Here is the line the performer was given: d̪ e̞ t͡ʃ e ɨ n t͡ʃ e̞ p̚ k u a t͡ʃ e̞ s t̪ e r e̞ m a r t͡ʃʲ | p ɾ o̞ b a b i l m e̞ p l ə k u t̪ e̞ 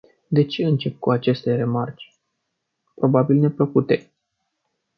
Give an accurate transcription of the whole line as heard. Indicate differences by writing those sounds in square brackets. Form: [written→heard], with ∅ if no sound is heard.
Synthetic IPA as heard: d̪ e̞ t͡ʃ e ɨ n t͡ʃ e̞ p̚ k u a t͡ʃ e̞ s t̪ e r e̞ m a r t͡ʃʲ | p ɾ o̞ b a b i l [m→n] e̞ p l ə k u t̪ e̞